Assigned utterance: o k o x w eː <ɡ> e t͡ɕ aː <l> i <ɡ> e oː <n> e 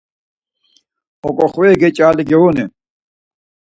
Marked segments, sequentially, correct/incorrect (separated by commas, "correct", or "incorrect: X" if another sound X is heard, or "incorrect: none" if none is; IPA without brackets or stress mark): correct, correct, correct, correct